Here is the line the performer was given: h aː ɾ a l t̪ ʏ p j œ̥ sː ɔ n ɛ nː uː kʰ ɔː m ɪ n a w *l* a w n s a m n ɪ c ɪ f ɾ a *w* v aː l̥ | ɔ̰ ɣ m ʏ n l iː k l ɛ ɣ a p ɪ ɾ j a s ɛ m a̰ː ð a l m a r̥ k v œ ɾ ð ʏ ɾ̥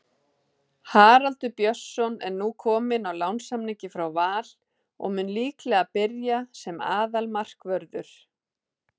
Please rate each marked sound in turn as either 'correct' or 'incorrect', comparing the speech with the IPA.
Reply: correct, correct

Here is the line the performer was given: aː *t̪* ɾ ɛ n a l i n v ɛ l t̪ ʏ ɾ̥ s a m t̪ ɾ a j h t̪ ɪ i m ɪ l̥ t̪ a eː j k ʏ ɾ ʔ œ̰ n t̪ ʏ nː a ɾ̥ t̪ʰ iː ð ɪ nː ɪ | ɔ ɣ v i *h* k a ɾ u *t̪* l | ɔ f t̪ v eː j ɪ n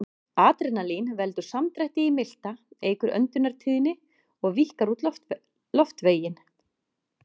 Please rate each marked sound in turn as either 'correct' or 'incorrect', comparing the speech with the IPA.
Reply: correct, correct, correct

